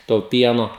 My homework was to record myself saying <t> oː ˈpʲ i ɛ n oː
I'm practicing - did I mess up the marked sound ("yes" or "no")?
no